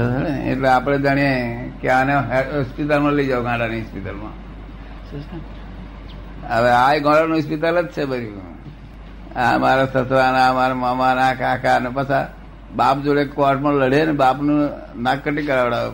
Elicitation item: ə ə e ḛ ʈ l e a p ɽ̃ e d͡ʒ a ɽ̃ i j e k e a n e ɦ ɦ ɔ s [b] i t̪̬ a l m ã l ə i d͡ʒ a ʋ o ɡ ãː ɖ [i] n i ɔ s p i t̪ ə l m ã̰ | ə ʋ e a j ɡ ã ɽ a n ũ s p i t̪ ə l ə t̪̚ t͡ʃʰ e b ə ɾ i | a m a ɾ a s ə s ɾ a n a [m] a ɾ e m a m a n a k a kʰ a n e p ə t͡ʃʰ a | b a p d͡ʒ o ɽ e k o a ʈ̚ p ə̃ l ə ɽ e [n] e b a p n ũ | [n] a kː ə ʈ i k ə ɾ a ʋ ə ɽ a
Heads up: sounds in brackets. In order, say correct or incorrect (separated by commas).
incorrect, incorrect, correct, correct, correct